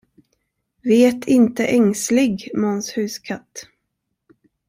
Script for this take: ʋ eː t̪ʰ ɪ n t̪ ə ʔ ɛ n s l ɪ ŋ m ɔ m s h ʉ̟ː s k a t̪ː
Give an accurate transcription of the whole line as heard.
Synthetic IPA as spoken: v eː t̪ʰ ɪ n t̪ ə ʔ ɛ ŋ s l ɪ ɡ m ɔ n s h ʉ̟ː s kʰ a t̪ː